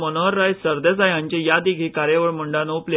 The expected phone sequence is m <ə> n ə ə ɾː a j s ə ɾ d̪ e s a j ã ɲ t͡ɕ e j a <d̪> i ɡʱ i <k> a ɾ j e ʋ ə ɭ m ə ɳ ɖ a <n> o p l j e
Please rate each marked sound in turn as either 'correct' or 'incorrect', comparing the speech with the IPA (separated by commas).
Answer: correct, correct, correct, correct